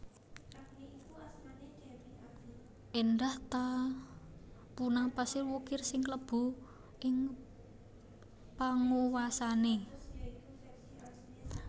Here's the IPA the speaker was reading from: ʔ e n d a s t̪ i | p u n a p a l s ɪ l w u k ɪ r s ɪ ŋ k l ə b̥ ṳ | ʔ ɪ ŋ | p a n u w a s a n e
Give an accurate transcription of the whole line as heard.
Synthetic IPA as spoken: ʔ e n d a h t̪ a | p u n a p a s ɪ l w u k ɪ r s ɪ ŋ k l ə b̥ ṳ | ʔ ɪ ŋ | p a ŋ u w a s a n e